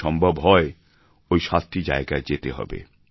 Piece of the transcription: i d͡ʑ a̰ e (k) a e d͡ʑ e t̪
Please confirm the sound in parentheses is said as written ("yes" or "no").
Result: no